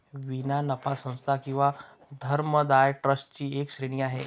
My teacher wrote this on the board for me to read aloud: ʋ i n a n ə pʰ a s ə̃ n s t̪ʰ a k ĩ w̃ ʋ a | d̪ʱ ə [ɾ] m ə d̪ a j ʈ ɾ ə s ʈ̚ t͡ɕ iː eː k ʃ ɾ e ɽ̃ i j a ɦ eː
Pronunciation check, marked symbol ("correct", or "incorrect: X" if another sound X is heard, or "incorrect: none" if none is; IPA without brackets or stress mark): correct